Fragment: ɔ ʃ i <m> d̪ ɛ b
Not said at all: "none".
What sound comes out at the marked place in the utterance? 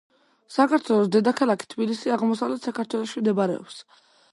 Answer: m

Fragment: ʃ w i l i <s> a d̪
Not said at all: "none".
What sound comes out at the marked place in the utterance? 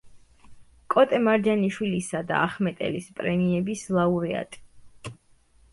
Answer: s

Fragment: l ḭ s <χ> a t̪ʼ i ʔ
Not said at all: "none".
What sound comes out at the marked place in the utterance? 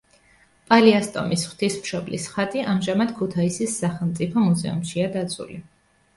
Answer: χ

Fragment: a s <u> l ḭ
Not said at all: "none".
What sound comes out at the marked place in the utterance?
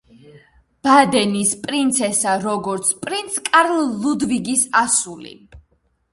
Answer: u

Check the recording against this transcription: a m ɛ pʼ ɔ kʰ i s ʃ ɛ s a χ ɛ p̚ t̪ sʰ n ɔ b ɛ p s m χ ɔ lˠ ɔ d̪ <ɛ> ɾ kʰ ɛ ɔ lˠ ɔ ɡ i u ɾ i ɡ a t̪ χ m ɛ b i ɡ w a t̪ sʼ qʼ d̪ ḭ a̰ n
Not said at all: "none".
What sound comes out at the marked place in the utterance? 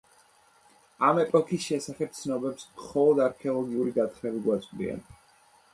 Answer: a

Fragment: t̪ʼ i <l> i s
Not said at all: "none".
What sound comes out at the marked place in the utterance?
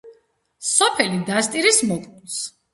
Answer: ɾ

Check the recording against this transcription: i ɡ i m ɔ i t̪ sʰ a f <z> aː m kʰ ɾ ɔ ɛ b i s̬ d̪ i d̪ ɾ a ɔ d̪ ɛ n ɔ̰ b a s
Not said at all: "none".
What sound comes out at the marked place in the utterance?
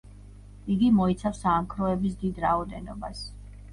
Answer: s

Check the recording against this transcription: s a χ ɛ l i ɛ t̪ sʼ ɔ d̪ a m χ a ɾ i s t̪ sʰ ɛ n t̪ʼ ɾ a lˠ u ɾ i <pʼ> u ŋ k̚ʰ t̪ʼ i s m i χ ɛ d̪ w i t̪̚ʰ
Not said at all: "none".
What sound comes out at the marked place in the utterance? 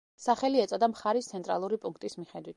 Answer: pʼ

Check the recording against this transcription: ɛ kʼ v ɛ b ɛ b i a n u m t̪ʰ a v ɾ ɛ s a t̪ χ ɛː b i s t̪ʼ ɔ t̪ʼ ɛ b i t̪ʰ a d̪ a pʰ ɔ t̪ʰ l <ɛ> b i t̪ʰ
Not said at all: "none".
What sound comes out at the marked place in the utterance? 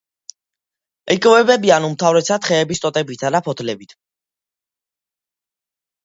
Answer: ɛ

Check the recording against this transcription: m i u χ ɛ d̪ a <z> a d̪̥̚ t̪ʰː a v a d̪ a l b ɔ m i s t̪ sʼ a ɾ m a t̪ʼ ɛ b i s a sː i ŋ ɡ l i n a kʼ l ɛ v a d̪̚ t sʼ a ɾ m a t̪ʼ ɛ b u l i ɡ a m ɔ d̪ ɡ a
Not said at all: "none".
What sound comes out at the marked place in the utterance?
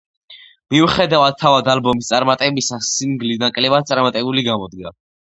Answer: v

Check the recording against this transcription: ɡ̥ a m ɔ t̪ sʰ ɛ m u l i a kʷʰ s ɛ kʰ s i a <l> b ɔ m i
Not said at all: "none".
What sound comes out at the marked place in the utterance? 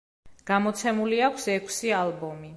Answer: l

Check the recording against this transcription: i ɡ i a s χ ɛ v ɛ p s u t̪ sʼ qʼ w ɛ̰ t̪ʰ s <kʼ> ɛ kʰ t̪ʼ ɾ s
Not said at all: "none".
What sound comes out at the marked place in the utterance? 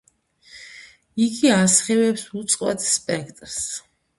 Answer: pʼ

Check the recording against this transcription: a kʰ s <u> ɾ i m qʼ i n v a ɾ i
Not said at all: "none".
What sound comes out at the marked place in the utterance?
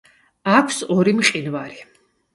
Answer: ɔ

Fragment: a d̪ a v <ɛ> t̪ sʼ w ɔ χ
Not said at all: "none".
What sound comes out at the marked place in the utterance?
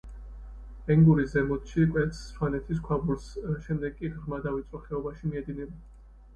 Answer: i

